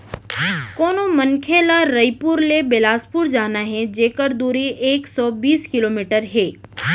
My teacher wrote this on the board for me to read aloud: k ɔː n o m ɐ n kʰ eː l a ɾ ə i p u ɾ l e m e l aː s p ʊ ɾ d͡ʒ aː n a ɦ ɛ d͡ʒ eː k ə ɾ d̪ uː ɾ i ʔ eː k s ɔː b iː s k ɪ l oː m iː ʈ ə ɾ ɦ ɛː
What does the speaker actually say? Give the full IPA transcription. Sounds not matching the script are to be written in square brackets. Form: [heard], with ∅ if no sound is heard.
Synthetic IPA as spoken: k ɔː n o m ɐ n kʰ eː l a ɾ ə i p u ɾ l e [b] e l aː s p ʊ ɾ d͡ʒ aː n a ɦ ɛ d͡ʒ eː k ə ɾ d̪ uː ɾ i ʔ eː k s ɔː b iː s k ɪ l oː m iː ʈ ə ɾ ɦ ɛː

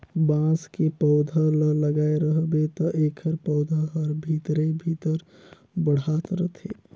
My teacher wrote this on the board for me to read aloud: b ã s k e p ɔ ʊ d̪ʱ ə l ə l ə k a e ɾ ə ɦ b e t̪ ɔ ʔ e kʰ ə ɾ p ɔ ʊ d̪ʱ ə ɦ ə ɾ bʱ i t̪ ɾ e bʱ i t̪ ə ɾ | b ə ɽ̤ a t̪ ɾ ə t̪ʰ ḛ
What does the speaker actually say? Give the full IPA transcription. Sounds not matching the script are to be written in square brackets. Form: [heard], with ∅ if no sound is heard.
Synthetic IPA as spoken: b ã s k e p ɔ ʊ d̪ʱ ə l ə l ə [ɡ] a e ɾ ə ɦ b e t̪ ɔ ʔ e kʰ ə ɾ p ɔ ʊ d̪ʱ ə ɦ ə ɾ bʱ i t̪ ɾ e bʱ i t̪ ə ɾ | b ə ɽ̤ a t̪ ɾ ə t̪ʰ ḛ

